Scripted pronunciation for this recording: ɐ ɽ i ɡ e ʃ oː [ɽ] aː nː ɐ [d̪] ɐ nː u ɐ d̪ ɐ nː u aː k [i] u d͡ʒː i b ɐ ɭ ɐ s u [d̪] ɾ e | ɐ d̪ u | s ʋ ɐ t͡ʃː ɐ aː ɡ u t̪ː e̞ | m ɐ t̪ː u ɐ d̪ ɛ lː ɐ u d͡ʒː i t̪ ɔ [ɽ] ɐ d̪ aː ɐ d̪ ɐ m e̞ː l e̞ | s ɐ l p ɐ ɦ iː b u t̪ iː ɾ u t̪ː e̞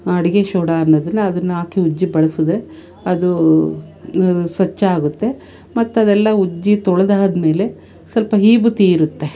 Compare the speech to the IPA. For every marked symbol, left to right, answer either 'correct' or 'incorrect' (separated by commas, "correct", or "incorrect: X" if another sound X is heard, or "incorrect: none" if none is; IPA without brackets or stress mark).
correct, correct, correct, correct, incorrect: ɭ